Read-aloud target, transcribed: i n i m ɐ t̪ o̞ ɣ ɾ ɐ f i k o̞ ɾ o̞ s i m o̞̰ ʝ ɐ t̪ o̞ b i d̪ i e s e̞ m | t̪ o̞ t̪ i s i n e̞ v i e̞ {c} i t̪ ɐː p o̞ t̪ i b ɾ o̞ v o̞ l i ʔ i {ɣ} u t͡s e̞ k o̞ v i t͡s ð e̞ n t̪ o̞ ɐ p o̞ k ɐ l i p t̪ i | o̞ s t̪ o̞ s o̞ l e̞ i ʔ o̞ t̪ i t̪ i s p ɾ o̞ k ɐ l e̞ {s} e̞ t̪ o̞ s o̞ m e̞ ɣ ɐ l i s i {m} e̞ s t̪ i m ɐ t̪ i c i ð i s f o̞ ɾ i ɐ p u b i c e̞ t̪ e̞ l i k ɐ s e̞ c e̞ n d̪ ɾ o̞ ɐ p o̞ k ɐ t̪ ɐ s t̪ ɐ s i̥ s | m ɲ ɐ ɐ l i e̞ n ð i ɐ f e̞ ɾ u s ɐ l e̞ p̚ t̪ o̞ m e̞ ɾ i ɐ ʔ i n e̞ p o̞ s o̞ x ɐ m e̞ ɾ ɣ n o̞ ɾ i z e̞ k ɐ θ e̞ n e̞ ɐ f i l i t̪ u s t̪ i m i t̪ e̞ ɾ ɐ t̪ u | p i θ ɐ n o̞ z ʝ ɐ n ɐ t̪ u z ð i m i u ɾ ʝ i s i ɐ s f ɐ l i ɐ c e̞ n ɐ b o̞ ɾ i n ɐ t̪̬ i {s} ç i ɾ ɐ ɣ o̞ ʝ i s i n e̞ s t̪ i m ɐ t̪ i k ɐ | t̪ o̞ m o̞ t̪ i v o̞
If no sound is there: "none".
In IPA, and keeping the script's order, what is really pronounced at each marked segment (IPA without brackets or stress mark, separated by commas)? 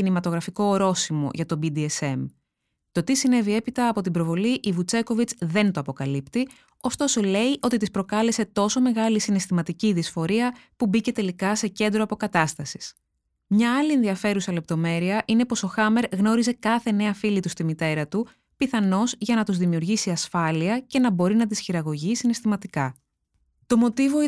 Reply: p, v, s, n, s